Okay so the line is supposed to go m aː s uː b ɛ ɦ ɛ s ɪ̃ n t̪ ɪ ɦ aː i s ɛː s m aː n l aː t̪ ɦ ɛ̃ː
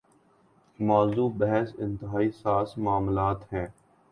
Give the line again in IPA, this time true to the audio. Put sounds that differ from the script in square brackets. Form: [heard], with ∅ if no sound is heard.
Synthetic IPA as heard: m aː [z] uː b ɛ ɦ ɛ s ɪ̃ n t̪ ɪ ɦ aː i s [aː] s m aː [m] l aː t̪ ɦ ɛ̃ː